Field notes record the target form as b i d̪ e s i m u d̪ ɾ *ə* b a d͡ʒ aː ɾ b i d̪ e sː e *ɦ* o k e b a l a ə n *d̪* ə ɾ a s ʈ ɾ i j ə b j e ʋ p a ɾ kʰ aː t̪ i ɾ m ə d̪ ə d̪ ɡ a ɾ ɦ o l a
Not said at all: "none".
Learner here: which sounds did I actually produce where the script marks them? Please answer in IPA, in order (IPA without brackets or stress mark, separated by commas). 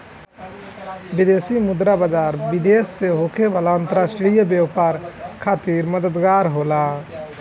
a, ɦ, t̪